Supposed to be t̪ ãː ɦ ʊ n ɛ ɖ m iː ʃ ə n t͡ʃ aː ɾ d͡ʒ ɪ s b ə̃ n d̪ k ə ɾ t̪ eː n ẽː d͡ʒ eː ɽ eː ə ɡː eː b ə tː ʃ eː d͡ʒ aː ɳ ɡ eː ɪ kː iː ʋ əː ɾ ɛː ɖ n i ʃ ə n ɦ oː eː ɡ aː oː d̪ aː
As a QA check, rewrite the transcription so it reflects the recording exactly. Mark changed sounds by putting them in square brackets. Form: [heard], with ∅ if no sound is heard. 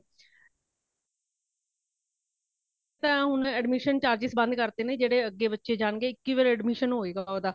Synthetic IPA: t̪ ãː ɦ ʊ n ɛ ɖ m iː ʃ ə n t͡ʃ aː ɾ d͡ʒ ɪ s b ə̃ n d̪ k ə ɾ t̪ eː n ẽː d͡ʒ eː ɽ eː ə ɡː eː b ə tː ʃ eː d͡ʒ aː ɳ ɡ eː ɪ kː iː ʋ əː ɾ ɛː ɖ [m] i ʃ ə n ɦ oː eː ɡ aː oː d̪ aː

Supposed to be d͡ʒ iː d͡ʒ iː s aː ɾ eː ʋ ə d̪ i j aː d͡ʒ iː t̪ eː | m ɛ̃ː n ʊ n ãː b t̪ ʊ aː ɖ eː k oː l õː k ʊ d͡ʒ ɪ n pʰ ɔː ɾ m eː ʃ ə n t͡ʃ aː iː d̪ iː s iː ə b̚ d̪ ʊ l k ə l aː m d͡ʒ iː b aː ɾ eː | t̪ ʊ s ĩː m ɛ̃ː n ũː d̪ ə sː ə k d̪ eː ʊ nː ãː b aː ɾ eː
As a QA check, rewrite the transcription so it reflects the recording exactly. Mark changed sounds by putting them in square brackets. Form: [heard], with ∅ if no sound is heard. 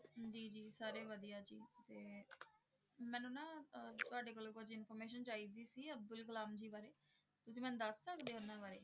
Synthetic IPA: d͡ʒ iː d͡ʒ iː s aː ɾ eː ʋ ə d̪ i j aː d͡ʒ iː t̪ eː | m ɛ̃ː n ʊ n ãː [∅] t̪ ʊ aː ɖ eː k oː l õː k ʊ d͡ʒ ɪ n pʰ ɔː ɾ m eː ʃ ə n t͡ʃ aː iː d̪ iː s iː ə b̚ d̪ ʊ l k ə l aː m d͡ʒ iː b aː ɾ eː | t̪ ʊ s ĩː m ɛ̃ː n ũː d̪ ə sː ə k d̪ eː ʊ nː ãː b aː ɾ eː

